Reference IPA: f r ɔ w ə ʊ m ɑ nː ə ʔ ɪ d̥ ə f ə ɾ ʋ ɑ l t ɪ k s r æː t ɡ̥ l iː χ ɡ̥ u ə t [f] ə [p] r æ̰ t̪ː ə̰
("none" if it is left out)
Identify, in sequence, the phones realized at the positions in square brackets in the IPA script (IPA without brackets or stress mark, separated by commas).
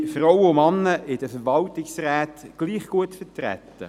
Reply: f, t